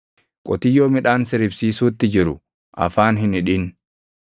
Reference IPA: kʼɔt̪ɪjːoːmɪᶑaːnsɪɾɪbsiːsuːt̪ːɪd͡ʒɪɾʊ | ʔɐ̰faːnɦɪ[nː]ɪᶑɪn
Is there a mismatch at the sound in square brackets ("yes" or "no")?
yes